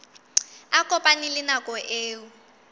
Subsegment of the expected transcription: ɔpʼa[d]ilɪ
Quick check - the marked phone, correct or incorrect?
incorrect